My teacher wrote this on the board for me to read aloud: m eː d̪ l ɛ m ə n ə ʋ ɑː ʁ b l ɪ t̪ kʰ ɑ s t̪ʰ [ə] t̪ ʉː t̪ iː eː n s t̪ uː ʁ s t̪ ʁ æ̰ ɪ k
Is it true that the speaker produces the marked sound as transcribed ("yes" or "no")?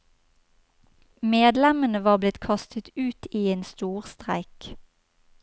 yes